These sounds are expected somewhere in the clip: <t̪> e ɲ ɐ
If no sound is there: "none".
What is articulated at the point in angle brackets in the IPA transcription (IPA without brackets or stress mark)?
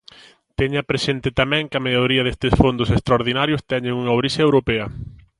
t̪